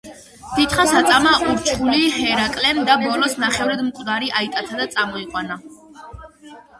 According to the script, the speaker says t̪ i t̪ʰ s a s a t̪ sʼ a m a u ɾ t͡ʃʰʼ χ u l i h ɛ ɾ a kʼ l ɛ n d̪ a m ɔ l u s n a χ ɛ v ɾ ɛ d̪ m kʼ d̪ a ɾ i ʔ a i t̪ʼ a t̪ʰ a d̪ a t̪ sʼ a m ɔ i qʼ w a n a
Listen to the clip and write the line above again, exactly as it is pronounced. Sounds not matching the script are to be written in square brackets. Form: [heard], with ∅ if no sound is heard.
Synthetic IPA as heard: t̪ i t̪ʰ [χ] a s a t̪ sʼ a m a u ɾ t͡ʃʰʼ χ u l i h ɛ ɾ a kʼ l ɛ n d̪ a [b] ɔ l [ɔ] s n a χ ɛ v ɾ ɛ d̪ m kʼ d̪ a ɾ i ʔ a i t̪ʼ a t̪ʰ a d̪ a t̪ sʼ a m ɔ i qʼ w a n a